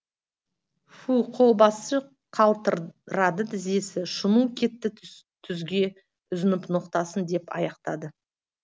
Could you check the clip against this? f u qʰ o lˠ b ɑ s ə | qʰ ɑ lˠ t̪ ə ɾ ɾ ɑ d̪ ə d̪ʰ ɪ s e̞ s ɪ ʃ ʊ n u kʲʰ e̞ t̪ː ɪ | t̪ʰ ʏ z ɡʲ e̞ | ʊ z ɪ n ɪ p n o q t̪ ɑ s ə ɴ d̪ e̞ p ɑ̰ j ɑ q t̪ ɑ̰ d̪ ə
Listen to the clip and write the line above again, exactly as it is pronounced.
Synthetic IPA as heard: f u qʰ o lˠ b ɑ s ə | qʰ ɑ lˠ t̪ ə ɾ ɾ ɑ d̪ ə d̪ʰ ɪ z e̞ s ɪ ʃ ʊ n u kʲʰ e̞ t̪ː ɪ | t̪ʰ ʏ z ɡʲ e̞ | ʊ z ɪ n ɪ p n o q t̪ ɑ s ə n d̪ e̞ p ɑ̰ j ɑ q t̪ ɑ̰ d̪ ə